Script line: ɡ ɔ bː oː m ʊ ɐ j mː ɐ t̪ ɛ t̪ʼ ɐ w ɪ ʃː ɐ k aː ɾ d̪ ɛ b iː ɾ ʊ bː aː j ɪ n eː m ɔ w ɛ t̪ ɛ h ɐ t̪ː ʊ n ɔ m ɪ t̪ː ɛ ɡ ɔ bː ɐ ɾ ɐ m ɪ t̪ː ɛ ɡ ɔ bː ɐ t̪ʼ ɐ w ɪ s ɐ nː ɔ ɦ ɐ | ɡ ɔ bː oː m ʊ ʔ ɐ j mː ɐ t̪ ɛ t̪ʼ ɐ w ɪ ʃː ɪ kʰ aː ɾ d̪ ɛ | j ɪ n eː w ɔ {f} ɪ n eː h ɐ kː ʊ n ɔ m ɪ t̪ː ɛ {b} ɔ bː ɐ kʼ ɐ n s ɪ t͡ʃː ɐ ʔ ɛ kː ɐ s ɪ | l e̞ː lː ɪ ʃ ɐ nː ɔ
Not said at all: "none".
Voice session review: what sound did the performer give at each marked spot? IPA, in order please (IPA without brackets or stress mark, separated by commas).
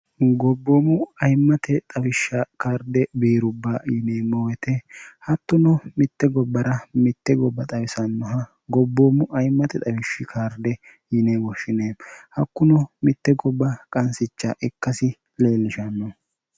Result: ʃ, ɡ